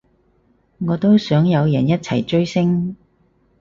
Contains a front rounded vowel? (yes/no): yes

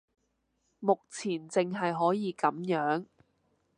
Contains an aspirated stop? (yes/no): yes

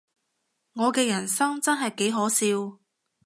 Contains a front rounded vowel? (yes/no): no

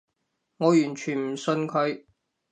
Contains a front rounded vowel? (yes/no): yes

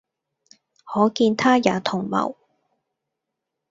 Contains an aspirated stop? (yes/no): yes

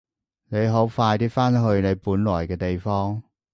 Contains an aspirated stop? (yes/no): no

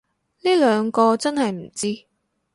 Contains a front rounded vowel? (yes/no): yes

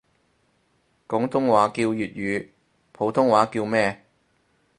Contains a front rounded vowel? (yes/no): yes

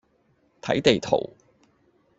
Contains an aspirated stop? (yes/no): yes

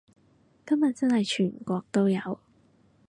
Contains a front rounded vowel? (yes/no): yes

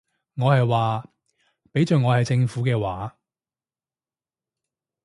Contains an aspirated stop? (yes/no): no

